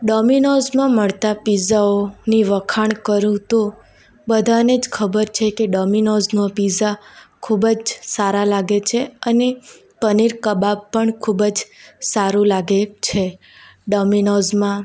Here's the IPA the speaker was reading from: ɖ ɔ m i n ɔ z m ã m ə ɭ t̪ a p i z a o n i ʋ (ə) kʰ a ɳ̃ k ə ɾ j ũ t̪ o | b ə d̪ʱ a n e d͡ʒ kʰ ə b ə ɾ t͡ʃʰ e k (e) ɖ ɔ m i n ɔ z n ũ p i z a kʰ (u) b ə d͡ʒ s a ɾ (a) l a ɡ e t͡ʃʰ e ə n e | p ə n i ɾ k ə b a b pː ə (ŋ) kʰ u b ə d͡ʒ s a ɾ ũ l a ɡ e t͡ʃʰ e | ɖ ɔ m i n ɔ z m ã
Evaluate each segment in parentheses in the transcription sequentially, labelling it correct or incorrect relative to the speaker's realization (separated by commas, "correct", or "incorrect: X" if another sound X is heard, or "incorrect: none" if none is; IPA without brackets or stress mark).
correct, correct, correct, correct, incorrect: ɳ